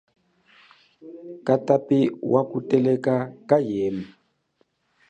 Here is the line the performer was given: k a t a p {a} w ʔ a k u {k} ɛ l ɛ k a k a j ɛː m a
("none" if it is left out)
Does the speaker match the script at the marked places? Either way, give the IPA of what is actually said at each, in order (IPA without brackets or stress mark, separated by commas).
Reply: i, t